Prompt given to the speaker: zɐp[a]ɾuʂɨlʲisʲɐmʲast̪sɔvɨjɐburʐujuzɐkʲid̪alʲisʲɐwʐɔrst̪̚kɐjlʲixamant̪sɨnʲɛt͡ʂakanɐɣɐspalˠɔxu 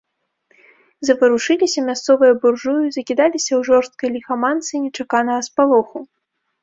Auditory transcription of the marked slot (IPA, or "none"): ɐ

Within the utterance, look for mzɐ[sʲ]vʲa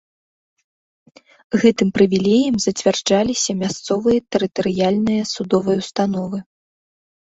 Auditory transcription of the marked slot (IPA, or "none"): t͡sʲ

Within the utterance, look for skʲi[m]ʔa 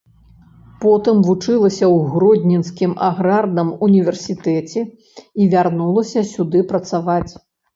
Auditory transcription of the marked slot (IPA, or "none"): m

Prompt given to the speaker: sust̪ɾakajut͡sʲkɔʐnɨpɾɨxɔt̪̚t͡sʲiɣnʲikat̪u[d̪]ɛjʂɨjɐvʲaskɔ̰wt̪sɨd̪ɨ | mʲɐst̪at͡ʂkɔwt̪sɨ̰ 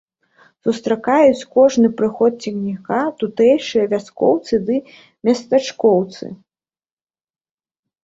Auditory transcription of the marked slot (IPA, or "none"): t̪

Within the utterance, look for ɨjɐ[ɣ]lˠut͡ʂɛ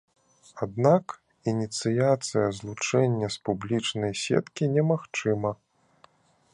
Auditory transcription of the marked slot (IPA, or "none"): z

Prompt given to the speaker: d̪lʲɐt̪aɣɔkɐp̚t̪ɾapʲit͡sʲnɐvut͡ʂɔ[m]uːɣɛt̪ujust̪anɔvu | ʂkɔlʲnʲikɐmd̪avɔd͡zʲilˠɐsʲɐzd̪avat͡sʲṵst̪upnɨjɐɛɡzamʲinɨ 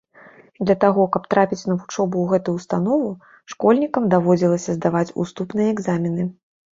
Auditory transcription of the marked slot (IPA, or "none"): b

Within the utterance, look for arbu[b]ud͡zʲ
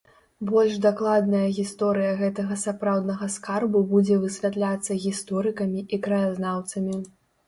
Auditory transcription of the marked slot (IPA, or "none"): b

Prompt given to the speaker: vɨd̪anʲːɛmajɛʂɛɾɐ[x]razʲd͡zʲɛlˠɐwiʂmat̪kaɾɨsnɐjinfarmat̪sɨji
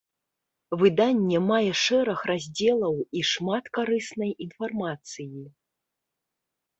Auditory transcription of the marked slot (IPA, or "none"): x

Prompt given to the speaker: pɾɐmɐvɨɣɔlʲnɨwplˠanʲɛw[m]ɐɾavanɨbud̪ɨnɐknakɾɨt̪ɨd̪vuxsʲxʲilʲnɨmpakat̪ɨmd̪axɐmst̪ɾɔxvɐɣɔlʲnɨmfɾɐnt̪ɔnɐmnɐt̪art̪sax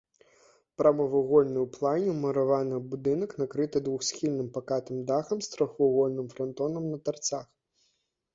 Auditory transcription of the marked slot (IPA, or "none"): m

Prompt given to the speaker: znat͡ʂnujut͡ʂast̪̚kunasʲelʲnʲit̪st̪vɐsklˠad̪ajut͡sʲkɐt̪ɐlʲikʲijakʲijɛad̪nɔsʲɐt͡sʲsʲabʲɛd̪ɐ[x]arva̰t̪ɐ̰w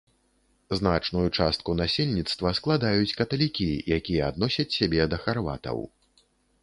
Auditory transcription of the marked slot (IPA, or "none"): x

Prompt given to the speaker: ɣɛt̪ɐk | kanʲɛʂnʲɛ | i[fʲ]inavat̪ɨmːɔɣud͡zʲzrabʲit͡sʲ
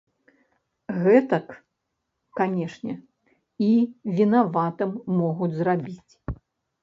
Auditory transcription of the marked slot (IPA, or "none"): vʲ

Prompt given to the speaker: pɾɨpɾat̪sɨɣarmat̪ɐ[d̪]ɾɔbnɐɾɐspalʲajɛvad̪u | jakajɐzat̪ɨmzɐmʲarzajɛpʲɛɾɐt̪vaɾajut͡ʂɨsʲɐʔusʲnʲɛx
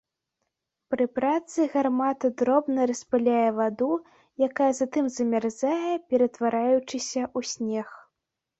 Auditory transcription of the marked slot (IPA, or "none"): d̪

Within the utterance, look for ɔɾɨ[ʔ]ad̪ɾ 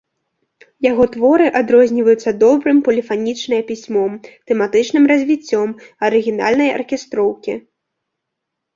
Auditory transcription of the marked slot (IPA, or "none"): ʔ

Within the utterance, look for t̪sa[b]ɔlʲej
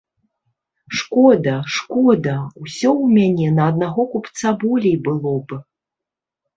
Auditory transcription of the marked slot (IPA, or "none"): b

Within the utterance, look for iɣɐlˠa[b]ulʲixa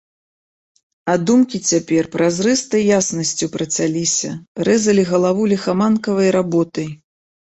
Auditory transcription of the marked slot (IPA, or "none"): v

